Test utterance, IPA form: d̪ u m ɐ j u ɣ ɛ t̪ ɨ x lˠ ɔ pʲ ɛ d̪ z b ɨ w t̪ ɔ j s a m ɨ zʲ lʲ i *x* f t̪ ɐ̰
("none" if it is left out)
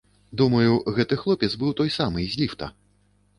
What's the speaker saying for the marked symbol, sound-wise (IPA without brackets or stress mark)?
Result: none